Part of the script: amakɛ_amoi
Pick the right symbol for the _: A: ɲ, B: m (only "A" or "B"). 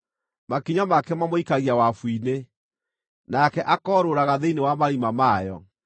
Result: B